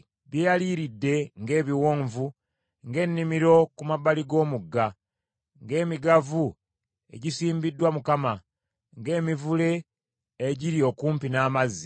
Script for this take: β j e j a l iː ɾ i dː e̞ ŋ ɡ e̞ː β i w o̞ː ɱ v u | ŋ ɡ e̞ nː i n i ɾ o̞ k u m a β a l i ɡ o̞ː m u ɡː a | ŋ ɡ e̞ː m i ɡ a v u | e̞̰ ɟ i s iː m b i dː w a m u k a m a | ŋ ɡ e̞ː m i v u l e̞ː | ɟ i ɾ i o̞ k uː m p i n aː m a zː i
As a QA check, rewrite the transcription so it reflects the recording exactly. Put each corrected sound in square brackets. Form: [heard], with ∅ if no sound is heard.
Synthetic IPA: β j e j a l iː ɾ i dː e̞ ŋ ɡ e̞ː β i w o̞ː ɱ v u | ŋ ɡ e̞ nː i [m] i ɾ o̞ k u m a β a l i ɡ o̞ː m u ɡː a | ŋ ɡ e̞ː m i ɡ a v u | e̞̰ ɟ i s iː m b i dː w a m u k a m a | ŋ ɡ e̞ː m i v u l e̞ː | ɟ i ɾ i o̞ k uː m p i n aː m a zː i